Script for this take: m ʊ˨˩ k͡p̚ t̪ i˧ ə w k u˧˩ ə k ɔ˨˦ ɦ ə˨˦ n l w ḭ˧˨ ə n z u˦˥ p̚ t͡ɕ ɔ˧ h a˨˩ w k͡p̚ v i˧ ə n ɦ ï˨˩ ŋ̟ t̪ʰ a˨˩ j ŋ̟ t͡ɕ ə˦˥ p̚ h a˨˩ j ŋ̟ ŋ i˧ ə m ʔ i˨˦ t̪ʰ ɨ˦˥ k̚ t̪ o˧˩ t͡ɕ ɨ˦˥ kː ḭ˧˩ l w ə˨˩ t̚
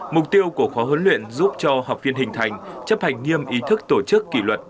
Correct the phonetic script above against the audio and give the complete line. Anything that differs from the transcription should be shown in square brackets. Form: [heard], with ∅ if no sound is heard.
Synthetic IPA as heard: m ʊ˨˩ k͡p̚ t̪ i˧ ə w k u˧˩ ə [x] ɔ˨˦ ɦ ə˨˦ n l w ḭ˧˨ ə n z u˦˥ p̚ t͡ɕ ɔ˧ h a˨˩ w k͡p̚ v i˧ ə n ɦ ï˨˩ ŋ̟ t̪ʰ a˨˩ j ŋ̟ t͡ɕ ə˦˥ p̚ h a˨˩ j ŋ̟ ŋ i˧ ə m ʔ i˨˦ t̪ʰ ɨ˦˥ k̚ t̪ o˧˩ t͡ɕ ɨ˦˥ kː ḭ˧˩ l w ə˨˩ t̚